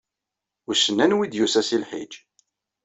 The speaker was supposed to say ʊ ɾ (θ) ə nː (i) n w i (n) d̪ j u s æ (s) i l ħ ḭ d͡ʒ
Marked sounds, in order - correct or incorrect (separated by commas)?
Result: incorrect, incorrect, incorrect, correct